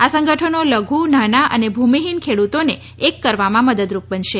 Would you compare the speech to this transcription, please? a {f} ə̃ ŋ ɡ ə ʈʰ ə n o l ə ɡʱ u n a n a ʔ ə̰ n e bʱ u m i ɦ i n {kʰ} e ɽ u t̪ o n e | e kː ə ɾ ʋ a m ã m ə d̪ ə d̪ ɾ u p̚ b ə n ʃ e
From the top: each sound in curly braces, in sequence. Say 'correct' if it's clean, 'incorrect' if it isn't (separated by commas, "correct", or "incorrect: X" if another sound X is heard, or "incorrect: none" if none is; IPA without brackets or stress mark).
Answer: incorrect: s, correct